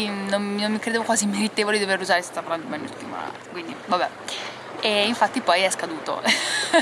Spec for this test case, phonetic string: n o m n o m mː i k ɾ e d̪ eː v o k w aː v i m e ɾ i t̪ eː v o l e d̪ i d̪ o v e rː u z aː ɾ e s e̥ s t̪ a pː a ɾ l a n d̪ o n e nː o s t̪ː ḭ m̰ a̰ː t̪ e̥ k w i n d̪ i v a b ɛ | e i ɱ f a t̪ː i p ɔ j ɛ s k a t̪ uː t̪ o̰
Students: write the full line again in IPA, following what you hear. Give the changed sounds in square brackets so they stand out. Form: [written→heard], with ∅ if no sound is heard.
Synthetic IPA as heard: n o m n o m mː i k ɾ e d̪ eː v o k w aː [v→z] i m e ɾ i t̪ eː v o l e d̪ i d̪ o v e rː u z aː ɾ e s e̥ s t̪ a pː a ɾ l a n d̪ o [n→m] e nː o s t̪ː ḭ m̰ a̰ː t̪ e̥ k w i n d̪ i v a b ɛ | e i ɱ f a t̪ː i p ɔ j ɛ s k a [t̪→d̪] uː t̪ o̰